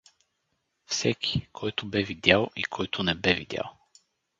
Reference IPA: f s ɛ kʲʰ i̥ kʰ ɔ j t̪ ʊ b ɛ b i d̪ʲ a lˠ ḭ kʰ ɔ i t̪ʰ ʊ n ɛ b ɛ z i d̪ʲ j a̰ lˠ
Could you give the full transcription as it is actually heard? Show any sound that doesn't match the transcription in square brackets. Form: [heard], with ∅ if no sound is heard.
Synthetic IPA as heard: f s ɛ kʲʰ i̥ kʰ ɔ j t̪ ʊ b ɛ [v] i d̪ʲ a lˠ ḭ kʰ ɔ [j] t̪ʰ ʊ n ɛ b ɛ [v] i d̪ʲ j a̰ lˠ